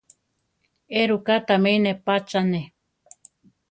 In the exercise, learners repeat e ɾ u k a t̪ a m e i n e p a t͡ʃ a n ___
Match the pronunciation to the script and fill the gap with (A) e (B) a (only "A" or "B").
A